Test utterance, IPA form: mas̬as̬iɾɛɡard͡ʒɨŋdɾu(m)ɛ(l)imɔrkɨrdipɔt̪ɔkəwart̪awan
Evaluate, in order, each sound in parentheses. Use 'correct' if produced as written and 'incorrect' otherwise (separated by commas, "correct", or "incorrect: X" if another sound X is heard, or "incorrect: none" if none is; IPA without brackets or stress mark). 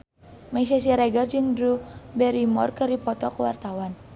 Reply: incorrect: b, incorrect: ɾ